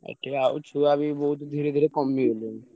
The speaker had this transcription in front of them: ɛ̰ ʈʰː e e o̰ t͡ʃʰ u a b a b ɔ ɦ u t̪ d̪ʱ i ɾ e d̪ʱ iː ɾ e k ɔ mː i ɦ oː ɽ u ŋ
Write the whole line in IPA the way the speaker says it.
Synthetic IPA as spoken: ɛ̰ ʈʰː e a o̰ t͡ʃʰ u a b i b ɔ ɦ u t̪ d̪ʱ i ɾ e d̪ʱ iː ɾ e k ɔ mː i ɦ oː l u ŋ